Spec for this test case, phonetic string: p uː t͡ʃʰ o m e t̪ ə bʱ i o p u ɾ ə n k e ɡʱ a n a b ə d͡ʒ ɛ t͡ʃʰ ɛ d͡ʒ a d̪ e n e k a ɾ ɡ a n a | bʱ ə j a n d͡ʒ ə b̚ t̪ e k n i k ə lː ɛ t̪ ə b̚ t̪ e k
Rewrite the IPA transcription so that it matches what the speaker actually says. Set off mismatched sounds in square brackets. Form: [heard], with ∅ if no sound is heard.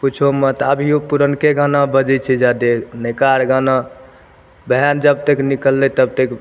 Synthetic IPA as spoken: p [u] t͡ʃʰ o m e t̪ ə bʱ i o p u ɾ ə n k e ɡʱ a n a b ə d͡ʒ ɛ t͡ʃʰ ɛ d͡ʒ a d̪ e n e k a ɾ ɡ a n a | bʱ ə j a n d͡ʒ ə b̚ t̪ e k n i k ə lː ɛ t̪ ə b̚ t̪ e k